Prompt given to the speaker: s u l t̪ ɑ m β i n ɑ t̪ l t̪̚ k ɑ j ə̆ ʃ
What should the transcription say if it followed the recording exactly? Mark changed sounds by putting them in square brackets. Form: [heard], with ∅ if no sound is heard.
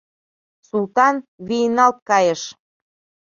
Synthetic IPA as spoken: s u l t̪ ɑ [n] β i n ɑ [∅] l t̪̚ k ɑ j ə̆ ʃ